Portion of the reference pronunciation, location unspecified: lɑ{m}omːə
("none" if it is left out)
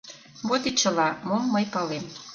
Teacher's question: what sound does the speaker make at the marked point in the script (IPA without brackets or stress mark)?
m